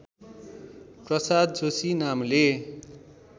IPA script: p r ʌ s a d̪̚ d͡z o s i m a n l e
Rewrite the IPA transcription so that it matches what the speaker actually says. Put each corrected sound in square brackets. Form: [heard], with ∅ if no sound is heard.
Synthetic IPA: p r ʌ s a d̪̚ d͡z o s i [n] a [m] l e